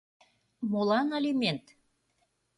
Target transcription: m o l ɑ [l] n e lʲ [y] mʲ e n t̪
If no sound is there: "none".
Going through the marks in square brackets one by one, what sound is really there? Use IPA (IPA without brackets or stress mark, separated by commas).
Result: none, i